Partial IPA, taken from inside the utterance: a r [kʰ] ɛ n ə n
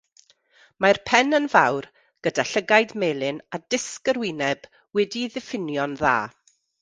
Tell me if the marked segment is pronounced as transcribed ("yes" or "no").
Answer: no